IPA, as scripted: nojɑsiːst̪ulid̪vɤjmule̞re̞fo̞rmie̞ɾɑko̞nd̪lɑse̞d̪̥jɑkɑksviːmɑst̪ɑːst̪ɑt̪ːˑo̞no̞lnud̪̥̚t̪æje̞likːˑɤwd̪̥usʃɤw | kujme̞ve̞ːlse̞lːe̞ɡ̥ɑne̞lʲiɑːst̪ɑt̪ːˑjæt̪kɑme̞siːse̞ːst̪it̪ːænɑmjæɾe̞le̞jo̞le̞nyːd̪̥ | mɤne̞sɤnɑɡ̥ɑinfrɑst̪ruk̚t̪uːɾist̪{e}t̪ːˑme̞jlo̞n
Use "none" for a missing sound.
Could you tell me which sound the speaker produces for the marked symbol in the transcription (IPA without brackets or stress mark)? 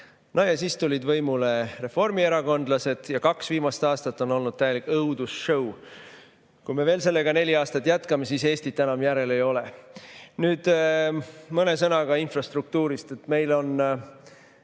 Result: e